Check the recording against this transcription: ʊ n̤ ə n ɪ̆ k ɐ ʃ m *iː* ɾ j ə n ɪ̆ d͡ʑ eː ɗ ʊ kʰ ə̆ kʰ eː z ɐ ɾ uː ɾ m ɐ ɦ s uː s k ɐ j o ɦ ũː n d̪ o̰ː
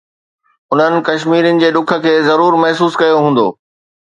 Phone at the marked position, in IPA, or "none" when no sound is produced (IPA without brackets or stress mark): iː